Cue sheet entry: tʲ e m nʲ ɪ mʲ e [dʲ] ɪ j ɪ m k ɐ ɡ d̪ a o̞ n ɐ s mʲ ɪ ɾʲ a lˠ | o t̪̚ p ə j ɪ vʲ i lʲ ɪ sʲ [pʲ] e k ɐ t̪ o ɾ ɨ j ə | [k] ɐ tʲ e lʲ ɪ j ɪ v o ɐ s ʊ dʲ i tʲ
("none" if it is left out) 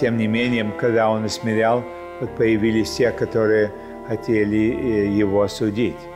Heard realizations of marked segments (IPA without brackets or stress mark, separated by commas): nʲ, tʲ, x